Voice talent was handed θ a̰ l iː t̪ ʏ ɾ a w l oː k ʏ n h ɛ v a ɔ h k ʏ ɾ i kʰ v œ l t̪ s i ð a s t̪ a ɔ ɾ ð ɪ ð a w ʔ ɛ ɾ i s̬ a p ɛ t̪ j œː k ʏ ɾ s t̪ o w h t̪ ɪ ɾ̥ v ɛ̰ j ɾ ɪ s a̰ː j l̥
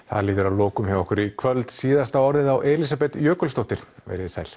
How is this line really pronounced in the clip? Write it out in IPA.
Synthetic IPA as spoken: θ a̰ l iː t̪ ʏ ɾ a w l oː k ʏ m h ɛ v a ɔ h k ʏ ɾ i kʰ v œ l t̪ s iː ð a s t̪ a ɔ ɾ ð ɪ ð a w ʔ ɛ l i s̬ a p ɛ t̪ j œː k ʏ l s t̪ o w h t̪ ɪ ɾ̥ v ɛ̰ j ɾ ɪ s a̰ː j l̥